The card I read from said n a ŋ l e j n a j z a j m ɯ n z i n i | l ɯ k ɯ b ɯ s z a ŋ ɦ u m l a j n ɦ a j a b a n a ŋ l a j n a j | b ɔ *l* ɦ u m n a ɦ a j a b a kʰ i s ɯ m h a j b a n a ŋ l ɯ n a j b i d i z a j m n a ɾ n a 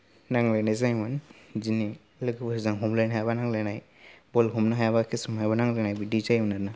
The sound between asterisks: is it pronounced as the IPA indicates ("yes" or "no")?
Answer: yes